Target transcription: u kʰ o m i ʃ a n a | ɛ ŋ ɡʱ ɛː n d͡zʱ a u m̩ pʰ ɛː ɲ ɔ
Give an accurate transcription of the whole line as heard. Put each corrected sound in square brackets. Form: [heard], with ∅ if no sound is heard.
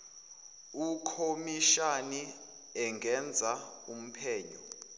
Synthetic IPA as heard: u kʰ o m i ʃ a n [i] | ɛ ŋ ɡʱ [ɛ] n d͡zʱ a u m̩ pʰ ɛː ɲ ɔ

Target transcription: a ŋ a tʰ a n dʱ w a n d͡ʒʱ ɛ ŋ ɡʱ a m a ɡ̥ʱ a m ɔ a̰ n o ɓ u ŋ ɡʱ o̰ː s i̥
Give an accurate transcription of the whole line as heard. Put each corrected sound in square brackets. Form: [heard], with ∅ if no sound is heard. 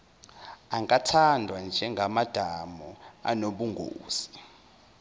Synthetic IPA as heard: a ŋ a tʰ a n dʱ w a n d͡ʒʱ ɛ ŋ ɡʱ a m a [d̥ʱ] a m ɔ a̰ n o ɓ u ŋ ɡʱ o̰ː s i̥

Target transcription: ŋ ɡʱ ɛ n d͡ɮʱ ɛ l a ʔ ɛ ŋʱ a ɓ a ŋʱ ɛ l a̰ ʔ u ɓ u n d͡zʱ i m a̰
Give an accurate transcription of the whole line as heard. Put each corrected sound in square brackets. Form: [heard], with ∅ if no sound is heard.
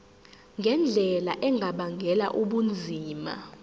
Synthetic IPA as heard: ŋ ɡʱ ɛ n d͡ɮʱ ɛ l a ʔ ɛ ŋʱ a ɓ a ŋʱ ɛ l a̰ ʔ u ɓ u n d͡zʱ [iː] m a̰

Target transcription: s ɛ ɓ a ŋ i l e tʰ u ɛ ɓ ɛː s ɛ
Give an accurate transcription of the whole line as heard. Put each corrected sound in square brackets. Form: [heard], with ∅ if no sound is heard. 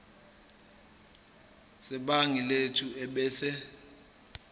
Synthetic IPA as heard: s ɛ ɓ a ŋ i l e tʰ u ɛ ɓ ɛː s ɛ

